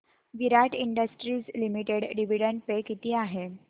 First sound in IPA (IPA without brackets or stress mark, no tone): ʋ